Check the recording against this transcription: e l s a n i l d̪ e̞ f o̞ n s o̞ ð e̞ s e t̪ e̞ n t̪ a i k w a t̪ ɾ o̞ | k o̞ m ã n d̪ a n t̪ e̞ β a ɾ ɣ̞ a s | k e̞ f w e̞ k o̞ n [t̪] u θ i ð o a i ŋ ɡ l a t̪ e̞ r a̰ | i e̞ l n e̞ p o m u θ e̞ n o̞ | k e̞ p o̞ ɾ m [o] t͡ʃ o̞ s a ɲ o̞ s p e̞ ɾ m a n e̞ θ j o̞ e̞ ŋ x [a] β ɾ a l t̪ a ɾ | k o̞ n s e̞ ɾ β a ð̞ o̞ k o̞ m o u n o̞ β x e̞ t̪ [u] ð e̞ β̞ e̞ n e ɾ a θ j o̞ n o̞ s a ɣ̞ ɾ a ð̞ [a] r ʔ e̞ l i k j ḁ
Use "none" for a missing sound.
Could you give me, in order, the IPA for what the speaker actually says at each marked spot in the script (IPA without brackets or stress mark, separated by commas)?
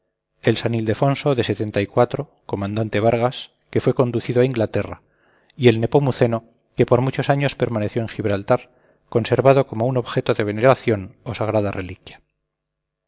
d̪, u, i, o, a